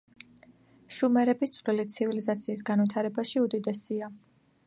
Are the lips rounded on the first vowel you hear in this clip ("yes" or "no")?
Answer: yes